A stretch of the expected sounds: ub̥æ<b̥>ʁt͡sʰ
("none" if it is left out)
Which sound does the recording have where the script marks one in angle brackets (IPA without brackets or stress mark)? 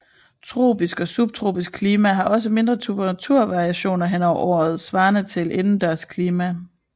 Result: none